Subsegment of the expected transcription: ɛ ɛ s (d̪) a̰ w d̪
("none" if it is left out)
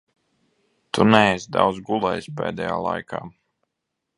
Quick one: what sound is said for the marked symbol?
d̪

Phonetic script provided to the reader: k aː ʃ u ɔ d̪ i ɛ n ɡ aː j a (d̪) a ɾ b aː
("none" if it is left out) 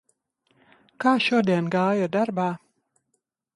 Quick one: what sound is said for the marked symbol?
d̪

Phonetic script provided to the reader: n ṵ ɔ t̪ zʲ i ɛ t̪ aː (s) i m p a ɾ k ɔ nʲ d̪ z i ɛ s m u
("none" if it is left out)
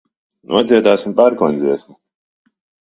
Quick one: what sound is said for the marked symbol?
s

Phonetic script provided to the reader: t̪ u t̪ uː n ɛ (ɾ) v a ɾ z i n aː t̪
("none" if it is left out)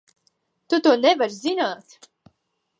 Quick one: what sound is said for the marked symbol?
none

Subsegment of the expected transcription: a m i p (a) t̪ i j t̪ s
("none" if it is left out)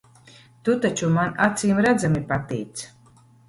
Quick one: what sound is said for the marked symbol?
a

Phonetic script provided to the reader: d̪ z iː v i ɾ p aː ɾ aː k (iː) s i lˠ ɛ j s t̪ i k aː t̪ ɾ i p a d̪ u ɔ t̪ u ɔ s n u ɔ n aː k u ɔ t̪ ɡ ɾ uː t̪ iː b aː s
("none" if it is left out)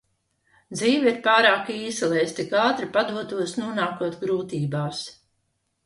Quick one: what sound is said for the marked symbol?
iː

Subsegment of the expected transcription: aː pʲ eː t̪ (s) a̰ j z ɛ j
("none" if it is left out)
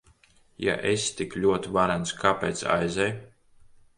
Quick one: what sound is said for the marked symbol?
s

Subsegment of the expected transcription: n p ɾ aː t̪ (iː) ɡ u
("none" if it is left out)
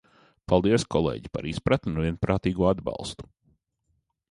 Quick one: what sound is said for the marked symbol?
iː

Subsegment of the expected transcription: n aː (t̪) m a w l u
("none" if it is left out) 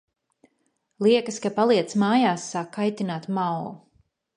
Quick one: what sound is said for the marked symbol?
t̪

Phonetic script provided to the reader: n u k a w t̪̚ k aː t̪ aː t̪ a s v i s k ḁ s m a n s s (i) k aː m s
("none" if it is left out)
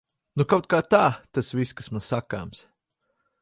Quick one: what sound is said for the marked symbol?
a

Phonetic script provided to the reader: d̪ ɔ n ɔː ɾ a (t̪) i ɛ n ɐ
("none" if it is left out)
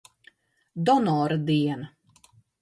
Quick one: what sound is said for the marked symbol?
d̪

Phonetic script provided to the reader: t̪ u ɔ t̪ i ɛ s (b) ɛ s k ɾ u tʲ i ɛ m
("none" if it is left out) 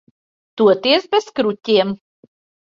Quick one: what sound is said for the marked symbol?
b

